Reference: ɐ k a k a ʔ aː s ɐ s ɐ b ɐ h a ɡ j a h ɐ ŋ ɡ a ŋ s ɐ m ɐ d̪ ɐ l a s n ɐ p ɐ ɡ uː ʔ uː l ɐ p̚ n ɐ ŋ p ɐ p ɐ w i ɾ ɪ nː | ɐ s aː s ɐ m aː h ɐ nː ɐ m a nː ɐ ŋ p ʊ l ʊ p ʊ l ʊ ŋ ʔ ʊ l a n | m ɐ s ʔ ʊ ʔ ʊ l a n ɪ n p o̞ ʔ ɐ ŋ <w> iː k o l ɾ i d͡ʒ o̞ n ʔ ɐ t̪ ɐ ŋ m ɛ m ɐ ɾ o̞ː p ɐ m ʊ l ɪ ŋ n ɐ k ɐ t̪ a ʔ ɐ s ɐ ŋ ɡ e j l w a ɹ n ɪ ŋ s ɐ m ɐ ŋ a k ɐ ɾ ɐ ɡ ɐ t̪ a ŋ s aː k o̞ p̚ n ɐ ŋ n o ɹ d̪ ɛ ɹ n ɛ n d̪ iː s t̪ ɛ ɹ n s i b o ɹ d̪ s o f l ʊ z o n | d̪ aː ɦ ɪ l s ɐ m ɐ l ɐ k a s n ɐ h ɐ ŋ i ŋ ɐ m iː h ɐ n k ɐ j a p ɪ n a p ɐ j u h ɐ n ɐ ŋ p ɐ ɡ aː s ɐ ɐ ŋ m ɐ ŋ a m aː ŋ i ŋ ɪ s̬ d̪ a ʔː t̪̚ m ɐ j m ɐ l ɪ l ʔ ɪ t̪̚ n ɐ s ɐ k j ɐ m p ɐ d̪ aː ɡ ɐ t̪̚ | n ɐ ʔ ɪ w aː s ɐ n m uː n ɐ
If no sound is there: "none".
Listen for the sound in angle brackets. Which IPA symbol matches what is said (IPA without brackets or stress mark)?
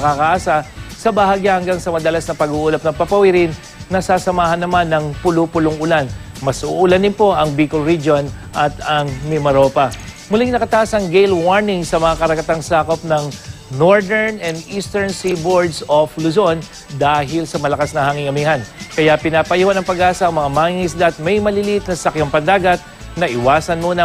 b